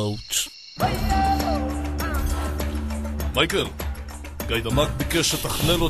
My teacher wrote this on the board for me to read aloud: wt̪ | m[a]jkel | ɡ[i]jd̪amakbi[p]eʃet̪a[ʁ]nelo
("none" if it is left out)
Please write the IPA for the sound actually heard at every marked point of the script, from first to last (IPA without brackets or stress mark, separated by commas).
a, a, k, χ